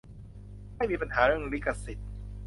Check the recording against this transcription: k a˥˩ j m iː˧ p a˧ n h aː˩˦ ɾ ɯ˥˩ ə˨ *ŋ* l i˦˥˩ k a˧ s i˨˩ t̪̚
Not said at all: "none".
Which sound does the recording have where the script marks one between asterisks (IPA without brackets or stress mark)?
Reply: ŋ